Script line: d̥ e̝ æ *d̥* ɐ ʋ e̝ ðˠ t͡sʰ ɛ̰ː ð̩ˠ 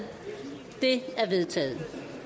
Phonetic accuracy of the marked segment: incorrect: none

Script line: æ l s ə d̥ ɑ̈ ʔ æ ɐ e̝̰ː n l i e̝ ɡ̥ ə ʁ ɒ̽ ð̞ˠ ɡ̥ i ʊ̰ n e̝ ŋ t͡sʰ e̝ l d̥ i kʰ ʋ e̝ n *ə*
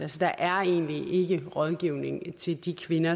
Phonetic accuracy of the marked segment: incorrect: ɐ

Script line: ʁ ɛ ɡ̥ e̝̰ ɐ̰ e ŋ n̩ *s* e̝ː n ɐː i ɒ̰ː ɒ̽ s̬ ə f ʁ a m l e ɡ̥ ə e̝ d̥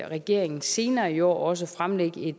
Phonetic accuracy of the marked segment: correct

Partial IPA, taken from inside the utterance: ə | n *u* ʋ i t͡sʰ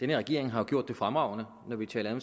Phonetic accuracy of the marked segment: incorrect: ɒ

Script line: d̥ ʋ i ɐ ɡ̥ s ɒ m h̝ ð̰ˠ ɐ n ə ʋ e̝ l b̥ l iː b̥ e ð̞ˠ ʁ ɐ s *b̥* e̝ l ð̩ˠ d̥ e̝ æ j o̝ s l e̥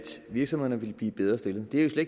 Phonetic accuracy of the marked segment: incorrect: d̥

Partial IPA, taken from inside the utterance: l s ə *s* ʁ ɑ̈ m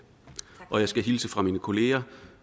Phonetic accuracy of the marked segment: incorrect: f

